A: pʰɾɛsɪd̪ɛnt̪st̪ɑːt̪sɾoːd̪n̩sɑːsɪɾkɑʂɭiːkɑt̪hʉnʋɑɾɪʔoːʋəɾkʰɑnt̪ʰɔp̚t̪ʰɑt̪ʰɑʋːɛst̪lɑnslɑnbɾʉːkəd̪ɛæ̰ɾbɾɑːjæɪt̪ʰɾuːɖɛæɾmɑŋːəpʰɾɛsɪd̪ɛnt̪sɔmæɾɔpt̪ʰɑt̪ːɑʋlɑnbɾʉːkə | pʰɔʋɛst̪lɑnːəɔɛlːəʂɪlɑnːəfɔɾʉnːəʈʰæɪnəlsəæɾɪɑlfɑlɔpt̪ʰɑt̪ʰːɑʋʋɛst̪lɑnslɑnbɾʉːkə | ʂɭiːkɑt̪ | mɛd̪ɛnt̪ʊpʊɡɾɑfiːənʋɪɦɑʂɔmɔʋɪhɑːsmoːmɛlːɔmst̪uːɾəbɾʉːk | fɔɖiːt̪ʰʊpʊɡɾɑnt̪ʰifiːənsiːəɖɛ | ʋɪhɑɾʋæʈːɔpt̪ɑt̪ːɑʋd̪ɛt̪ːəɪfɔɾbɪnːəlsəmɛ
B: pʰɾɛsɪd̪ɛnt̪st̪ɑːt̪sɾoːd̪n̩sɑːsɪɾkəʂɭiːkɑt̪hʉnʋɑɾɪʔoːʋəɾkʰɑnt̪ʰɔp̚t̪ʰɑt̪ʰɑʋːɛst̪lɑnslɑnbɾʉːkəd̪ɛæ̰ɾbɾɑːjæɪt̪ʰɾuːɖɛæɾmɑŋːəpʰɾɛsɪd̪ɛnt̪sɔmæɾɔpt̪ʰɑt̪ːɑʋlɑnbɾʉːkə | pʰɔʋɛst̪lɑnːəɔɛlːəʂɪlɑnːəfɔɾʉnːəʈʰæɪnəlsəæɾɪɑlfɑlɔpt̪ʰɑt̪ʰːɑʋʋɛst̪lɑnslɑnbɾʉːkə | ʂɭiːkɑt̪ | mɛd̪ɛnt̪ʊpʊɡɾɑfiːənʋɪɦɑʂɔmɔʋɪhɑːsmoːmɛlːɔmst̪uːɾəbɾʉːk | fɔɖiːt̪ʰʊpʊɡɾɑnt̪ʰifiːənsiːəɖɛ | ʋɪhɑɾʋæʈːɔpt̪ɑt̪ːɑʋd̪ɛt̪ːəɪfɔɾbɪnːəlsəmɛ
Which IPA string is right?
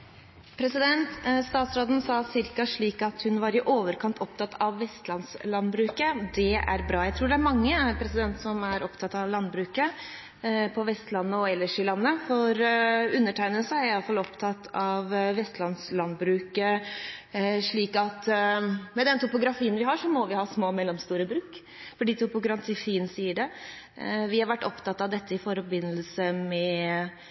A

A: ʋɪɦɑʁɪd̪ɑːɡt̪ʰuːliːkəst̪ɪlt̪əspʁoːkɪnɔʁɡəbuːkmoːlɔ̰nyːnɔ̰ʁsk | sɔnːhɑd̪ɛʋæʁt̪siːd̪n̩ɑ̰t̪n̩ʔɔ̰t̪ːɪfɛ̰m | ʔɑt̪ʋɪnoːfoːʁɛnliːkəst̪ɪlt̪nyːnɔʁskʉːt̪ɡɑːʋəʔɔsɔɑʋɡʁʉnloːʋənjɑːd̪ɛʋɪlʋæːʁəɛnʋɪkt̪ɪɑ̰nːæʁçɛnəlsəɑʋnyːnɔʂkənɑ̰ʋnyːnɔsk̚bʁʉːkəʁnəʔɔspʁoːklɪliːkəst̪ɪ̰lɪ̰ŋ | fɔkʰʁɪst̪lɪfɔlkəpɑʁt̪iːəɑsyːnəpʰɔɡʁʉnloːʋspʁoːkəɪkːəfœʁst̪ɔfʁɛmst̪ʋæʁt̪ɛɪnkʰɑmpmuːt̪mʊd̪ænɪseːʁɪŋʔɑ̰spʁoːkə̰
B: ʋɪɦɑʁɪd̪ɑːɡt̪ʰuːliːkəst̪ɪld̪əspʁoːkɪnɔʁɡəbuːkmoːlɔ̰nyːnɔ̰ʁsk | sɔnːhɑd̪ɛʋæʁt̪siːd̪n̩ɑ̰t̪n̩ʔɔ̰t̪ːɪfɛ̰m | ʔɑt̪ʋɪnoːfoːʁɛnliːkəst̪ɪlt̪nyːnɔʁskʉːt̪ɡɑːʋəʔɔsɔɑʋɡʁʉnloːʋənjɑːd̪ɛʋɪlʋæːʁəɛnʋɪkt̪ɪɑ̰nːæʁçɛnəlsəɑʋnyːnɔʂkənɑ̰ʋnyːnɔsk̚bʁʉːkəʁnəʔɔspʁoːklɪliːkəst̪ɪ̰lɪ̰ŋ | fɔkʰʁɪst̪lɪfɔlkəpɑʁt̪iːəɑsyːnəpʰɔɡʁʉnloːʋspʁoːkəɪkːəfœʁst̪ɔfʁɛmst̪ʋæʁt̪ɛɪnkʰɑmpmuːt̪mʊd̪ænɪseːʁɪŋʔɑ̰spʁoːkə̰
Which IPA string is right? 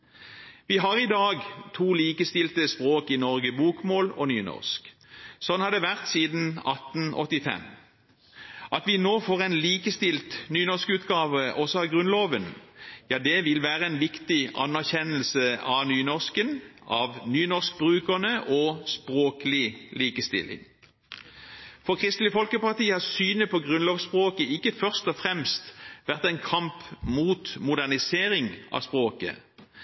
A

